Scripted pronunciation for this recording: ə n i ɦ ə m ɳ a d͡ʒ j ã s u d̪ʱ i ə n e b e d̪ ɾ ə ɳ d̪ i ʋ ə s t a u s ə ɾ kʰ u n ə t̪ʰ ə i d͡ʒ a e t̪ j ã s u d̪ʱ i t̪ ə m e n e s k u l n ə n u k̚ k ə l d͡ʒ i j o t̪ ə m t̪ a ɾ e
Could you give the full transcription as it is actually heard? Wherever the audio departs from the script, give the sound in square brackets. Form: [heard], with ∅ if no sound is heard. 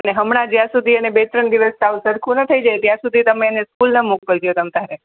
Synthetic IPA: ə n [e] ɦ ə m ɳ a d͡ʒ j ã s u d̪ʱ i ə n e b e [t̪] ɾ ə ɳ d̪ i ʋ ə s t a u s ə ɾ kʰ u n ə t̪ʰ ə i d͡ʒ a e t̪ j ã s u d̪ʱ i t̪ ə m e n e s k u l n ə [m] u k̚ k ə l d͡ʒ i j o t̪ ə m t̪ a ɾ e